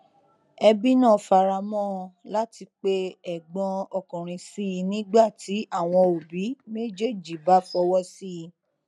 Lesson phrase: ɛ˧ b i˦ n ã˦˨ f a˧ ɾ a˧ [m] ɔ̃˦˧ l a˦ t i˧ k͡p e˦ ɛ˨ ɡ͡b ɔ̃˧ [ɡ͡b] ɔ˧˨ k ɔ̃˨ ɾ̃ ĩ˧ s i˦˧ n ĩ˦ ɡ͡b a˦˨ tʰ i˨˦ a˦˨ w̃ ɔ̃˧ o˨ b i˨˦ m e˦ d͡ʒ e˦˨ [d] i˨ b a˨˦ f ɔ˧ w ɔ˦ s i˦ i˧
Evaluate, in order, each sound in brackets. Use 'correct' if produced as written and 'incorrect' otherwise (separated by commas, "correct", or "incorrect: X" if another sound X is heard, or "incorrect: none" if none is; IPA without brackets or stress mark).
correct, incorrect: none, incorrect: d͡ʒ